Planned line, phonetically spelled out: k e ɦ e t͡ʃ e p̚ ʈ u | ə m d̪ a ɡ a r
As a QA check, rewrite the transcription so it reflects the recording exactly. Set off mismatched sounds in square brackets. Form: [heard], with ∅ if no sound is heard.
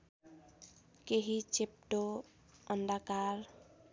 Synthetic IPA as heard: k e ɦ [i] t͡ʃ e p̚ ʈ [o] | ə [n] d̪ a [k] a [ɾ]

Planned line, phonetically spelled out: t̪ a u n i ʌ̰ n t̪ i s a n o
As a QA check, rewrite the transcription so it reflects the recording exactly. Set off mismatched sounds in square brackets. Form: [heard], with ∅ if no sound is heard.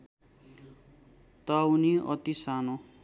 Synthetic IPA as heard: t̪ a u n i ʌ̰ [∅] t̪ i s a n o

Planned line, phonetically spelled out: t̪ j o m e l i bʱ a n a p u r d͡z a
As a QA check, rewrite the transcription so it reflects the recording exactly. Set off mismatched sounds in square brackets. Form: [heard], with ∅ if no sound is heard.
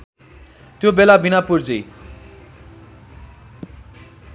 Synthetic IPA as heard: t̪ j o [b] e l [a] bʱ [i] n a p u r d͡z [i]

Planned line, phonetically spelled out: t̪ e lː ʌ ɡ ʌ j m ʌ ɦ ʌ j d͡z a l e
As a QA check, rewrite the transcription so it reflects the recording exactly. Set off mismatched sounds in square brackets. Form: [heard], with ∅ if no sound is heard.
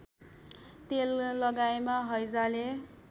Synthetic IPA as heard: t̪ e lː ʌ ɡ [a] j m [a] ɦ ʌ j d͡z a l e

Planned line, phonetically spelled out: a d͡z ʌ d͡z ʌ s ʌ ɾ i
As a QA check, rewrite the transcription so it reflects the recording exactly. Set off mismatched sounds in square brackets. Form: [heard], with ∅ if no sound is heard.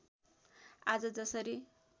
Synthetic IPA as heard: a d͡z ʌ d͡z ʌ s ʌ ɾ i

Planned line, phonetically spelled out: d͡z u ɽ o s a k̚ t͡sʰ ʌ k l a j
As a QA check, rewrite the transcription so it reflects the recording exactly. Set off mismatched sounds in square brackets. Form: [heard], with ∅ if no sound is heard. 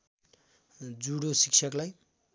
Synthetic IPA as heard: d͡z u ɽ o s [i] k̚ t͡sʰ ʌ k l a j

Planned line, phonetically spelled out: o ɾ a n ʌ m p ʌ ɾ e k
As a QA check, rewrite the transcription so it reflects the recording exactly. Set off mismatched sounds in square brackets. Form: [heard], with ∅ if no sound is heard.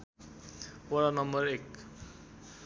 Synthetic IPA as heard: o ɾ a n ʌ m [b] ʌ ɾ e k

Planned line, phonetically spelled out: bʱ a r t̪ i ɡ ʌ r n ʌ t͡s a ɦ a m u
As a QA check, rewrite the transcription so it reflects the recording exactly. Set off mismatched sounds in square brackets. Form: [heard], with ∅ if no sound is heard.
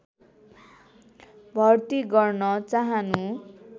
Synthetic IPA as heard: bʱ [ʌ] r t̪ i ɡ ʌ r n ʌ t͡s a ɦ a [n] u

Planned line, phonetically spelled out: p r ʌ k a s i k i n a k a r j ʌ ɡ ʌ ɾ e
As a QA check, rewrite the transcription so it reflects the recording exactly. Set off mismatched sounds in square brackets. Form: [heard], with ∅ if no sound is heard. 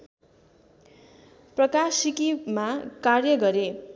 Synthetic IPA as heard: p r ʌ k a s i k i [m] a k a r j ʌ ɡ ʌ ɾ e

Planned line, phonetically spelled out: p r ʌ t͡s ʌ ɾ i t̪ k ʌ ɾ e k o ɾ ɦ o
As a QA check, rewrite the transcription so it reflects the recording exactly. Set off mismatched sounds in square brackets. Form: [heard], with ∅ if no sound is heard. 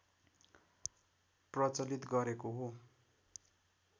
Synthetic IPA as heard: p r ʌ t͡s ʌ [l] i t̪ [ɡ] ʌ ɾ e k o [∅] ɦ o

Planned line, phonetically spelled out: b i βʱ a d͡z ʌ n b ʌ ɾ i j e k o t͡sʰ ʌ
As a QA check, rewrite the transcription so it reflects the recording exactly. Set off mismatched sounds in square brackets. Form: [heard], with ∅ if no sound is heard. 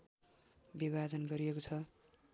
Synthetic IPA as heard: b i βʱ a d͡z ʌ n [ɡ] ʌ ɾ i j e k o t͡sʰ ʌ

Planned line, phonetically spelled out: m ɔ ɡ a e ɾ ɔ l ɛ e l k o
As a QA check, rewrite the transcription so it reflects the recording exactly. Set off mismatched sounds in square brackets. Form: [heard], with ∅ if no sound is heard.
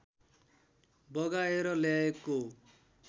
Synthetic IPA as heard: [b] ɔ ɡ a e ɾ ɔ l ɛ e [∅] k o

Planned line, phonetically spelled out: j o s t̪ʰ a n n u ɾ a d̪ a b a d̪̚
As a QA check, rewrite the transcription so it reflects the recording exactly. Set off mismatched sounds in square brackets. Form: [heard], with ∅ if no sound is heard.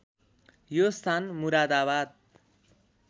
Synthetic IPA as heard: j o s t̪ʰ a n [m] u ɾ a d̪ a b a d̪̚

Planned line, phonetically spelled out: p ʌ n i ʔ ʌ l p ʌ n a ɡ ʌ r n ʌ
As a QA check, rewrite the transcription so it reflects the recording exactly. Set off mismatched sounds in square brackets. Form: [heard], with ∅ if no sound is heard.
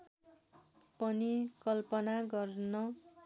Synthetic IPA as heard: p ʌ n i [k] ʌ l p ʌ n a ɡ ʌ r n ʌ

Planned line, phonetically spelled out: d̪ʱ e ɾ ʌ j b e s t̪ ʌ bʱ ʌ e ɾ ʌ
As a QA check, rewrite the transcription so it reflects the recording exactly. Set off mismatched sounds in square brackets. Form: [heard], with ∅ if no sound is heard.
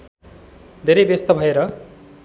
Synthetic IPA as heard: d̪ʱ e ɾ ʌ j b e s t̪ ʌ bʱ ʌ e ɾ ʌ

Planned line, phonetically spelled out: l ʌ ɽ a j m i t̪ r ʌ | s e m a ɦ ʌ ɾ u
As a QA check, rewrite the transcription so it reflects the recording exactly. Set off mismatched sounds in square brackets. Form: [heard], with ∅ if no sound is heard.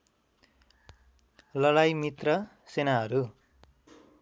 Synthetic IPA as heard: l ʌ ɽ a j m i t̪ r ʌ | s e [n] a ɦ ʌ ɾ u

